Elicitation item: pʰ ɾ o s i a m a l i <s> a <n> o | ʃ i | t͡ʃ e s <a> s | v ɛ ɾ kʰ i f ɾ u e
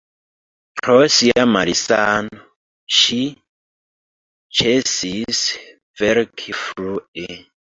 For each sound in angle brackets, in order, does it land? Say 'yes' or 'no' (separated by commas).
yes, yes, no